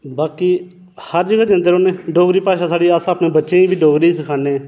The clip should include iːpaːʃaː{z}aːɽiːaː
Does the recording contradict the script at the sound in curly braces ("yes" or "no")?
yes